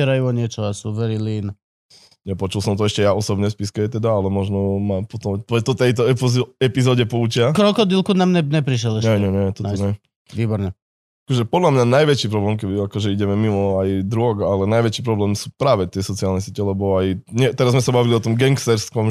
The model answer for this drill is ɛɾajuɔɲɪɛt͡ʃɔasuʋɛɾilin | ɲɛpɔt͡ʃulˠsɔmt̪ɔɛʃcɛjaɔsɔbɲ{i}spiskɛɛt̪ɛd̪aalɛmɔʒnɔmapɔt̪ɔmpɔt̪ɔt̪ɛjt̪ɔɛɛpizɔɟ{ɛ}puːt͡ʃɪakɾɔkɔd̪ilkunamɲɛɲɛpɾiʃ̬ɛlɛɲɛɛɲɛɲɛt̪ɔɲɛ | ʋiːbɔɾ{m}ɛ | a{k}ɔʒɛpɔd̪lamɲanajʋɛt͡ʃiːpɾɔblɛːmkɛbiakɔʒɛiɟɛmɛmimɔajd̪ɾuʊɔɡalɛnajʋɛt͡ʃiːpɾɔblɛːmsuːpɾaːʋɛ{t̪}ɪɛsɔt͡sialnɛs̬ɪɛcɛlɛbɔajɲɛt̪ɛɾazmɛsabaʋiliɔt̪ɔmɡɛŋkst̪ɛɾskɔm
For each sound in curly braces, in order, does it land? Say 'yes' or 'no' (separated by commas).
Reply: no, yes, no, yes, yes